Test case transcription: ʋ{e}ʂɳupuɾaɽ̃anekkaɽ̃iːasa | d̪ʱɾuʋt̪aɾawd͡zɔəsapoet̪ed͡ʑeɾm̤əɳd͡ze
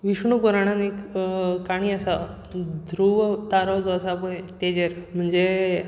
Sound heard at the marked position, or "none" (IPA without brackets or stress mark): i